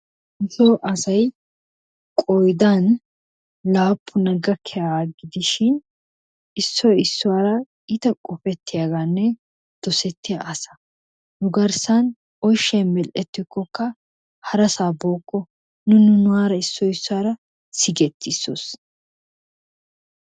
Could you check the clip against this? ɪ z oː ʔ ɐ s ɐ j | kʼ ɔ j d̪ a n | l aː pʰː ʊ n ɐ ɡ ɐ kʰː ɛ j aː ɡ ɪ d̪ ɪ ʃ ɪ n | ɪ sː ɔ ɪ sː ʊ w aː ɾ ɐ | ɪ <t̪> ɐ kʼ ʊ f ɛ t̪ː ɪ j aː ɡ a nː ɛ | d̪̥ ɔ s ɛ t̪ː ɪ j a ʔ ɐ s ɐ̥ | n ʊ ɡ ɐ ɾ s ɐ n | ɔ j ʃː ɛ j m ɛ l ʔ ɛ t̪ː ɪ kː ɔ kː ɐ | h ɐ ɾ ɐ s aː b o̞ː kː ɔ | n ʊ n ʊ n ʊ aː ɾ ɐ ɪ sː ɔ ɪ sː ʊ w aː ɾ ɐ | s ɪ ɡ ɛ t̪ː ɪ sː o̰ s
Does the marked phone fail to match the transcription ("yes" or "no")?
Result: no